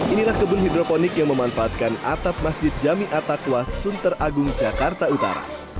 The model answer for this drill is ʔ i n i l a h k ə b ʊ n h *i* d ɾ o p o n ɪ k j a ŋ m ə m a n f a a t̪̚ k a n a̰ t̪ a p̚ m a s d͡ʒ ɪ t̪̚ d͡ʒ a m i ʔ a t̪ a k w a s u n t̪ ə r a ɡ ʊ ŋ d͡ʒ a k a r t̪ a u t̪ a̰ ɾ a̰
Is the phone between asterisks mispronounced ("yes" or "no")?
no